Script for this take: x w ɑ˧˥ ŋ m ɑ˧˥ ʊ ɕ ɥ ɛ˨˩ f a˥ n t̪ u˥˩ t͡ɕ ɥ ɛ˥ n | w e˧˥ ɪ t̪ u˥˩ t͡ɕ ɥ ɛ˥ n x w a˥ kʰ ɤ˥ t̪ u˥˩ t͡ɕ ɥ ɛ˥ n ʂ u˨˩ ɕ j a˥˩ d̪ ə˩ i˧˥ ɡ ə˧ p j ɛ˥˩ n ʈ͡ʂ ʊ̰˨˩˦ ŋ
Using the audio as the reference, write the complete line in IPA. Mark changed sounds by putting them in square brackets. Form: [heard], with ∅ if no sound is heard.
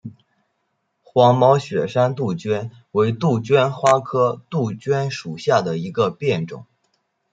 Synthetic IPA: x w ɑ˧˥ ŋ m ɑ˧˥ ʊ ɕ ɥ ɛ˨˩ [ʂ] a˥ n t̪ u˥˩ t͡ɕ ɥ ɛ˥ n | w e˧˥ ɪ t̪ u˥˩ t͡ɕ ɥ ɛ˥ n x w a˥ kʰ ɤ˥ t̪ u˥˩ t͡ɕ ɥ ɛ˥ n ʂ u˨˩ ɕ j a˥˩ d̪ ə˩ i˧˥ ɡ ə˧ p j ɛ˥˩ n ʈ͡ʂ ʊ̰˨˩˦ ŋ